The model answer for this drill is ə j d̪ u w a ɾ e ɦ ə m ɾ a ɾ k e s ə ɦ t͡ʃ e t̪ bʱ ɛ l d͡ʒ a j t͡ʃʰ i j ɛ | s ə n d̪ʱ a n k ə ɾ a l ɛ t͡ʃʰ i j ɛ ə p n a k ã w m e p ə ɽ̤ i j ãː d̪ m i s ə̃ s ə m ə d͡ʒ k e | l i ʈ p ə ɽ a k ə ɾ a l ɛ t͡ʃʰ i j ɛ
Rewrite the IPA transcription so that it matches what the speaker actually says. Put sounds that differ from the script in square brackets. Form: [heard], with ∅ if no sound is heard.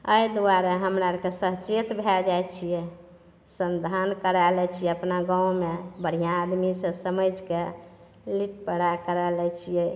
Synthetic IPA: ə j d̪ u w a ɾ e ɦ ə m ɾ a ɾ k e s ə ɦ t͡ʃ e t̪ bʱ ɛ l d͡ʒ a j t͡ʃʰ i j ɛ | s ə n d̪ʱ a n k ə ɾ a l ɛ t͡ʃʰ i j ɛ ə p n a [ɡ] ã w m e [b] ə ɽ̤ i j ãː d̪ m i s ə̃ s ə m ə d͡ʒ k e | l i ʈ p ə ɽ a k ə ɾ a l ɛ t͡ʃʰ i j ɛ